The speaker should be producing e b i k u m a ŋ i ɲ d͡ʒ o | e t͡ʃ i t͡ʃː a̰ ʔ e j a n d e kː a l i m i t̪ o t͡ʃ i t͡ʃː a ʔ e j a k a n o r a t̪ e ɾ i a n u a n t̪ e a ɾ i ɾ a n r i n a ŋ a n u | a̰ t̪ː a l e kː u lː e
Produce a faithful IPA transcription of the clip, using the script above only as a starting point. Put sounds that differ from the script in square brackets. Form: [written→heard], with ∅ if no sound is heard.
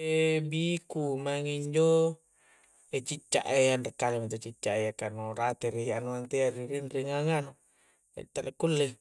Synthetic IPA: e b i k u m a ŋ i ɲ d͡ʒ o | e t͡ʃ i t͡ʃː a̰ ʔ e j a n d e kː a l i m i t̪ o t͡ʃ i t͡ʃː a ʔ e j a k a n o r a t̪ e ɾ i a n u a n t̪ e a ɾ i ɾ [a→i] n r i [n→ŋ] a ŋ a n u | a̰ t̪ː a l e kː u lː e

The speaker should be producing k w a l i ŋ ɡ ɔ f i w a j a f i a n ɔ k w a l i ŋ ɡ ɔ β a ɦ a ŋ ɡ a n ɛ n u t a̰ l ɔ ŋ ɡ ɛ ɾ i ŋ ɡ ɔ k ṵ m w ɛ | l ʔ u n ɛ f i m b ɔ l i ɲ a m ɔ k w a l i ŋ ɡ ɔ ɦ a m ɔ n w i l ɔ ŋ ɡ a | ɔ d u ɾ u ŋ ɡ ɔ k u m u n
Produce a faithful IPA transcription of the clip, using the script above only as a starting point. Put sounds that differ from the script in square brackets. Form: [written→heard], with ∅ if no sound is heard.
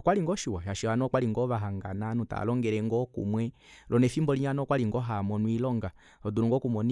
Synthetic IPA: k w a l i ŋ ɡ ɔ [f→ʃ] i w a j a [f→ʃ] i a n ɔ k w a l i ŋ ɡ ɔ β a ɦ a ŋ ɡ a n [ɛ→a] n u t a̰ l ɔ ŋ ɡ ɛ ɾ [i→ɛ] ŋ ɡ ɔ k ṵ m w ɛ | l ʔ [u→ɔ] n ɛ f i m b ɔ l i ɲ a [m→n] ɔ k w a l i ŋ ɡ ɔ ɦ a m ɔ n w i l ɔ ŋ ɡ a | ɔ d u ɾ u ŋ ɡ ɔ k u m [u→ɔ] n

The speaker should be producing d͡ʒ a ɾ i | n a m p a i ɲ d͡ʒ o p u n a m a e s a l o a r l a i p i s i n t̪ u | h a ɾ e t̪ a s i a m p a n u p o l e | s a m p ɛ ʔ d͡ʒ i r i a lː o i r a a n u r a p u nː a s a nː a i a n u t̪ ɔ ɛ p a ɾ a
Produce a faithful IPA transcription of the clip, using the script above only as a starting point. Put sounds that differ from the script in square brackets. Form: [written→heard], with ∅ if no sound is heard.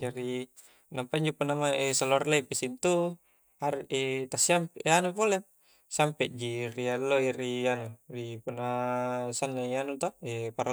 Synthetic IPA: d͡ʒ a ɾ i | n a m p a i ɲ d͡ʒ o p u n a m a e s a l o a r l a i p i s i n t̪ u | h a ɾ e t̪ a s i a m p a n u p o l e | s a m p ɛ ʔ d͡ʒ i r i a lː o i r [a→i] a n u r [a→i] p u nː a s a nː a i a n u t̪ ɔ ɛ p a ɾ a

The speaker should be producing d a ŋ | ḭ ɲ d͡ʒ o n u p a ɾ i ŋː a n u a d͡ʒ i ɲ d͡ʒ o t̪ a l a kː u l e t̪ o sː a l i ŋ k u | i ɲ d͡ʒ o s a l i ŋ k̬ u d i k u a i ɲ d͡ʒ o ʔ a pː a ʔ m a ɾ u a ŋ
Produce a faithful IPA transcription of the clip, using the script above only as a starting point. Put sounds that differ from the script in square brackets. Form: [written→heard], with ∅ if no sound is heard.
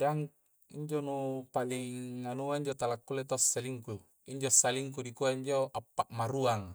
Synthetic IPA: d a ŋ | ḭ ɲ d͡ʒ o n u p a [ɾ→l] i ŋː a n u a [d͡ʒ→∅] i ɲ d͡ʒ o t̪ a l a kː u l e t̪ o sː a l i ŋ k u | i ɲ d͡ʒ o s a l i ŋ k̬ u d i k u a i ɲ d͡ʒ o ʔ a pː a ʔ m a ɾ u a ŋ

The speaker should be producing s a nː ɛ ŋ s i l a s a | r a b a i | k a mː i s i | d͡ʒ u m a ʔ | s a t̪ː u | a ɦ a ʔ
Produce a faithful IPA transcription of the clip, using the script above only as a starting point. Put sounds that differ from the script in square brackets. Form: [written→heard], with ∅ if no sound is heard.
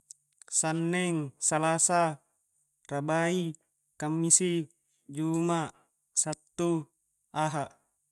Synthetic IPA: s a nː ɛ ŋ s [i→a] l a s a | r a b a i | k a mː i s i | d͡ʒ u m a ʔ | s a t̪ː u | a ɦ a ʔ

